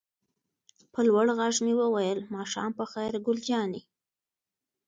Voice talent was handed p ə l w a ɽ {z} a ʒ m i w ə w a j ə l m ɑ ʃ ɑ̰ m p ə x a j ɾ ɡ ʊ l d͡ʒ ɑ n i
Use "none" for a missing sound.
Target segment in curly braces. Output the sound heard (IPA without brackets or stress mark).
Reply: ɣ